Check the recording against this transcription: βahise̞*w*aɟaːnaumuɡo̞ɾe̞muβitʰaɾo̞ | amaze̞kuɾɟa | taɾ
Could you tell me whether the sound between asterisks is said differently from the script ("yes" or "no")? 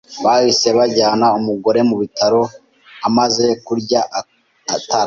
yes